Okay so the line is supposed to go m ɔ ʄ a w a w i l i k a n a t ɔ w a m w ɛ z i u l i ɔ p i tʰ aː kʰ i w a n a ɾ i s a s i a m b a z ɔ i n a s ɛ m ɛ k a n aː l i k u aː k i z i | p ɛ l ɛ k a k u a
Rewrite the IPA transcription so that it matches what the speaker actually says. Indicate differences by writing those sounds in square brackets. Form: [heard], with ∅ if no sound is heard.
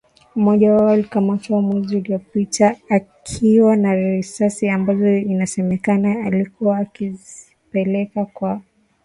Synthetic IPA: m ɔ ʄ a w a w [a] l i k a [m] a t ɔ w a m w ɛ z i u l i ɔ p i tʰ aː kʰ i w a n a ɾ i s a s i a m b a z ɔ i n a s ɛ m ɛ k a n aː l i k u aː k i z i | p ɛ l ɛ k a k [w] a